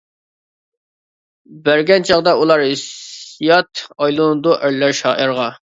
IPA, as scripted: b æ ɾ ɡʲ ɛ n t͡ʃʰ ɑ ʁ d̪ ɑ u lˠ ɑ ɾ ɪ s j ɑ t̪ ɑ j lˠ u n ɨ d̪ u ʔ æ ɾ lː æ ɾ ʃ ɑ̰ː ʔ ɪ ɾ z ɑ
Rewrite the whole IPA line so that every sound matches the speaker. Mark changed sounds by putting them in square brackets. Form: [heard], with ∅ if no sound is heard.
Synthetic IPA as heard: b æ ɾ ɡʲ ɛ n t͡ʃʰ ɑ ʁ d̪ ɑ u lˠ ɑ ɾ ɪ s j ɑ t̪ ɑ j lˠ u n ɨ d̪ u ʔ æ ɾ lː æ ɾ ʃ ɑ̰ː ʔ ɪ ɾ [ʁ] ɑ